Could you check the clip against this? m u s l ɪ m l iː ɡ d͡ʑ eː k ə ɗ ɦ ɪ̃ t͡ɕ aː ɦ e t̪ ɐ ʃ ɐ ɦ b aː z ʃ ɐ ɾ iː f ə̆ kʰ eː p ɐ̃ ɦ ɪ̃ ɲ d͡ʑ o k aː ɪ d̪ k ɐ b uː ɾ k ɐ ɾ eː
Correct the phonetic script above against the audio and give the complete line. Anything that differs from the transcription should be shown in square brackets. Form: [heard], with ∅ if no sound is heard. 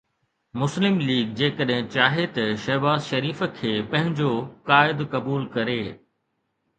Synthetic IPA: m [ʊ] s l ɪ m l iː ɡ d͡ʑ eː k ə ɗ ɦ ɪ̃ t͡ɕ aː ɦ e t̪ ɐ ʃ ɐ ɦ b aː z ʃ ɐ ɾ iː f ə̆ kʰ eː p ɐ̃ ɦ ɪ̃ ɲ d͡ʑ o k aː ɪ d̪ k ɐ b uː [l] k ɐ ɾ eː